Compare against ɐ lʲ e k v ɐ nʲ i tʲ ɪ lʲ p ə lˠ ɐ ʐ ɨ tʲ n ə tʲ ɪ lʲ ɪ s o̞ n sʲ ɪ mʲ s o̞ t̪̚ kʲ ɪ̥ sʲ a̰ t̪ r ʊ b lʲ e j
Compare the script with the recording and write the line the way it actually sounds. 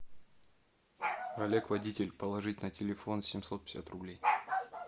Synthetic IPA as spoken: ɐ lʲ e k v ɐ dʲ i tʲ ɪ lʲ p ə lˠ ɐ ʐ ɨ tʲ n ə tʲ ɪ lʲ ɪ f o̞ n sʲ ɪ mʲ s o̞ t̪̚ pʲ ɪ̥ sʲ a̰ t̪ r ʊ b lʲ e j